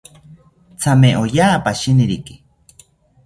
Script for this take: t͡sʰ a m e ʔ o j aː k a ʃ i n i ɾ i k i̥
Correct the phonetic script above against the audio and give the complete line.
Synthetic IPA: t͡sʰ a m e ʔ o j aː p a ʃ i n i ɾ i k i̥